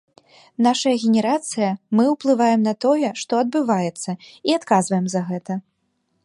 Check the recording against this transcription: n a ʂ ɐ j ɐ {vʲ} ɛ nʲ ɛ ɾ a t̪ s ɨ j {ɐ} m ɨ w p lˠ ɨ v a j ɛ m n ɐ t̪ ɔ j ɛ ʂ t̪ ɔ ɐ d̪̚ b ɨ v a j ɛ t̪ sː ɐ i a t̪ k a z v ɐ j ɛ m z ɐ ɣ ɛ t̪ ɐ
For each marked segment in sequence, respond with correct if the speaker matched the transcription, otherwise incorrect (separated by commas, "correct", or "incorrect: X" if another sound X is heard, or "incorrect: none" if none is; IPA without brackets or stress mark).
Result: incorrect: ɣʲ, correct